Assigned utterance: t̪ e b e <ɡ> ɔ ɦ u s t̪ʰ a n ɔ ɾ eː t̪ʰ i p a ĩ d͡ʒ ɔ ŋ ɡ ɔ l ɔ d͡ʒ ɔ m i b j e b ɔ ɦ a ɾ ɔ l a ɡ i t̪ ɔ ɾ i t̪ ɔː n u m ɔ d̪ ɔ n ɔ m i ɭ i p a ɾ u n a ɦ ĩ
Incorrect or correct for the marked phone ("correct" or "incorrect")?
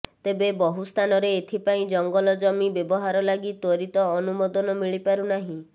incorrect